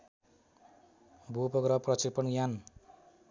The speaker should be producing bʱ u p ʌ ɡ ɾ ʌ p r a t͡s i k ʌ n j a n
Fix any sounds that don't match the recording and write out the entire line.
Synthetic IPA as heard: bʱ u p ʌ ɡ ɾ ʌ p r ʌ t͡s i p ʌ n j a n